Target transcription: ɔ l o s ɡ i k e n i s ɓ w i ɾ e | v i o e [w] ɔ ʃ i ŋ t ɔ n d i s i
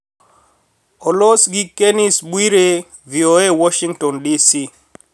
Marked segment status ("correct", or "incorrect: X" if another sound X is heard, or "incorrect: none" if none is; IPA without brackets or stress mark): correct